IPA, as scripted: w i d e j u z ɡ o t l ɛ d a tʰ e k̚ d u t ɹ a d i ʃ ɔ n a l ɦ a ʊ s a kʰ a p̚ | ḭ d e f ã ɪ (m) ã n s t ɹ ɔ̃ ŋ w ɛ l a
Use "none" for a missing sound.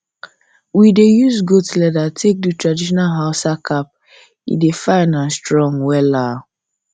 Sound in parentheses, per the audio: n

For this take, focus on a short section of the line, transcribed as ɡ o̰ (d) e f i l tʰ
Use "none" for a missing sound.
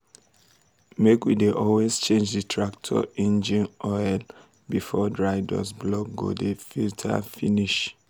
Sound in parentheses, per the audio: d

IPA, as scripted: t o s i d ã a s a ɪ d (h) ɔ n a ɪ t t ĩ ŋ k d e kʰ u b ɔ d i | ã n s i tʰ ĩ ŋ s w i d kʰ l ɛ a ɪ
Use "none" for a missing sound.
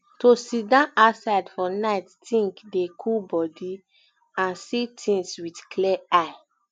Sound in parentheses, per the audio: f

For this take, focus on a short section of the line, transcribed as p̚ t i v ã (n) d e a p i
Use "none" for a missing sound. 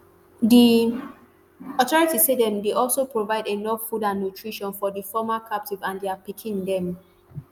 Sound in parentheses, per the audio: n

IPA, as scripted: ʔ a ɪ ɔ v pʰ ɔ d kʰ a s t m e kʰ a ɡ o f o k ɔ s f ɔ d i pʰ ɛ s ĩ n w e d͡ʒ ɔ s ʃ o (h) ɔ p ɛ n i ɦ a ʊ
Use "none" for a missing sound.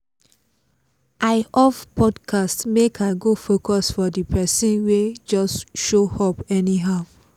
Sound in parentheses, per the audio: h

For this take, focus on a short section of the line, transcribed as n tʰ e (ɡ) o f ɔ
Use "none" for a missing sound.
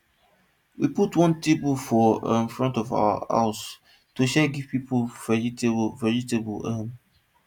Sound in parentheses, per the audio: b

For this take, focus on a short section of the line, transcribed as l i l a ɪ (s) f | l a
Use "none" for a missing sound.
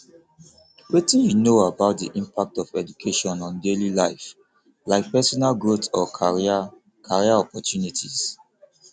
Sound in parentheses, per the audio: none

